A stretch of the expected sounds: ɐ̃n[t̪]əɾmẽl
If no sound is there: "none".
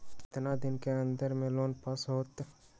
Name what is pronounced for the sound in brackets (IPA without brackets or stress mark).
d̪